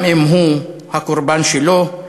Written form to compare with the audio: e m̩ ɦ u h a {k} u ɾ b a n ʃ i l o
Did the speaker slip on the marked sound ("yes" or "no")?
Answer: no